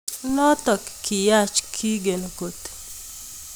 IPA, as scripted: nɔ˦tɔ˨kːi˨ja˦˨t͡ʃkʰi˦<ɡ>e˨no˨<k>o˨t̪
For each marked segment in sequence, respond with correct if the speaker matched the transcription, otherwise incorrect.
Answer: correct, correct

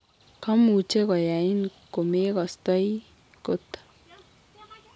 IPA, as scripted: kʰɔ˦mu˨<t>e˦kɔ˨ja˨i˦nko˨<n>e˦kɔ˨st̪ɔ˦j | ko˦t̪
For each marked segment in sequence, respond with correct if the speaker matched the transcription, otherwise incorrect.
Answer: incorrect, incorrect

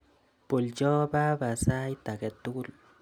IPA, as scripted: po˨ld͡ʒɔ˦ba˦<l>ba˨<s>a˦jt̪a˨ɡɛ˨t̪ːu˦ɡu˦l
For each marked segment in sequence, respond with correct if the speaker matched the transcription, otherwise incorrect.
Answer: incorrect, correct

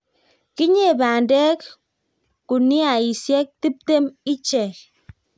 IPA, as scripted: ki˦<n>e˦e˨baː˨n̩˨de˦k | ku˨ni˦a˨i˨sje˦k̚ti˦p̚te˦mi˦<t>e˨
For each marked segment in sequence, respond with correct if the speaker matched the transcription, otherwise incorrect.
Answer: incorrect, incorrect

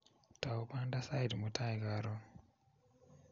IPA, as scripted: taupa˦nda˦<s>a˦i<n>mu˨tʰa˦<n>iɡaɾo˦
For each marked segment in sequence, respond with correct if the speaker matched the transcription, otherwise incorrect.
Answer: correct, incorrect, incorrect

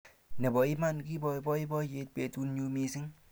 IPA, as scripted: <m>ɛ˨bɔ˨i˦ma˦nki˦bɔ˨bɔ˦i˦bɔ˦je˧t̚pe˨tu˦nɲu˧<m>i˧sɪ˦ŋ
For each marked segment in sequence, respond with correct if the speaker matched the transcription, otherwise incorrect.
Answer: incorrect, correct

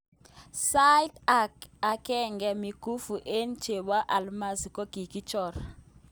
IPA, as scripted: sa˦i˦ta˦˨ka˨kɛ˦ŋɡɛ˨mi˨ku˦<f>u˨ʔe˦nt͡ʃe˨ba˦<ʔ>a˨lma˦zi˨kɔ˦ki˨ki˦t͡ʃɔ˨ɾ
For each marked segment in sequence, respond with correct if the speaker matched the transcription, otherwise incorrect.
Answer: correct, correct

